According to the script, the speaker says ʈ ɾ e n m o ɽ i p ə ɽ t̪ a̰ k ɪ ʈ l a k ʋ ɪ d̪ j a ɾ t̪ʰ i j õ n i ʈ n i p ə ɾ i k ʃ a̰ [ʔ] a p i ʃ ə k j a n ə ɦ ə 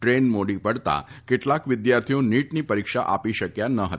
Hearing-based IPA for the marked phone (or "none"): ʔ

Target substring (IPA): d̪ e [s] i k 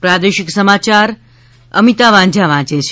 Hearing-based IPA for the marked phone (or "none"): ʃ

